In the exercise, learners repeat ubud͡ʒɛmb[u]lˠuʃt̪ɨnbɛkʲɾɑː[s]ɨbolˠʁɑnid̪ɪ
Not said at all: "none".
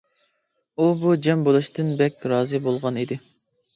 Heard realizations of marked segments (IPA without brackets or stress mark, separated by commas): o, z